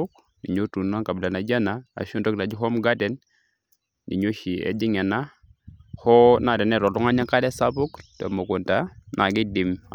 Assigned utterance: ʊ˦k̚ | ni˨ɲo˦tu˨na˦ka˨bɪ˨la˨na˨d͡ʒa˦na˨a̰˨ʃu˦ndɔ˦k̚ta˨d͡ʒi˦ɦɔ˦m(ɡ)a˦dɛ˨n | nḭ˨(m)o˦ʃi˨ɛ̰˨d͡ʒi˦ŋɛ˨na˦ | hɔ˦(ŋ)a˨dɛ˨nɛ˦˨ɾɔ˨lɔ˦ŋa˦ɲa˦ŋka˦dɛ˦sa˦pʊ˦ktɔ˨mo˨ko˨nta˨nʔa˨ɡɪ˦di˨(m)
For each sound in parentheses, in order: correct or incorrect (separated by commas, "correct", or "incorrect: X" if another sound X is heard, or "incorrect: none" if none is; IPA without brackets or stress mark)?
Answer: correct, incorrect: ɲ, incorrect: n, correct